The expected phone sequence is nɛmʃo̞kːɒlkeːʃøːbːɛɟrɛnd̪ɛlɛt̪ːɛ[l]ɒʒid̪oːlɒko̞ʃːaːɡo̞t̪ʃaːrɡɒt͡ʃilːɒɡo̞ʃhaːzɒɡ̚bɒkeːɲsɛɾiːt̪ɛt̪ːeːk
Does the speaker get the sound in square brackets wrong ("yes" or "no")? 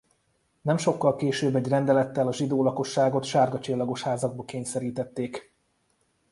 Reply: no